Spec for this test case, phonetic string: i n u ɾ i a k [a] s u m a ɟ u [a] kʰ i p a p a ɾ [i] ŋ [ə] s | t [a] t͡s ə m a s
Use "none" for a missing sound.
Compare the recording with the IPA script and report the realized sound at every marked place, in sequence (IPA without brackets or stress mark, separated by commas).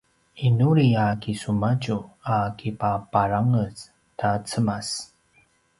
i, a, a, ə, a